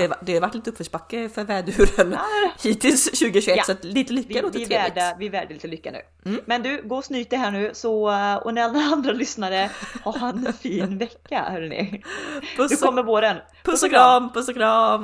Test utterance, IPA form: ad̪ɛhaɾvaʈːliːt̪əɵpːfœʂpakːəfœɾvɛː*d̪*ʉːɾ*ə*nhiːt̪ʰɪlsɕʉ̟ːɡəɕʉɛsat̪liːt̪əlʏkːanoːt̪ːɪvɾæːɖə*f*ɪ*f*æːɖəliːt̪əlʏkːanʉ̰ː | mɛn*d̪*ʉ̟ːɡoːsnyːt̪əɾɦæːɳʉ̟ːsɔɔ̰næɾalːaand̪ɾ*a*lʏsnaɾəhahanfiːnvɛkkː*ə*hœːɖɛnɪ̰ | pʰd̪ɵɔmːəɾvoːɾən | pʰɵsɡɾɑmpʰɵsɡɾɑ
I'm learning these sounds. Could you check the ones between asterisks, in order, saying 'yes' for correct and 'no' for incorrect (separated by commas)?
yes, yes, no, no, yes, yes, no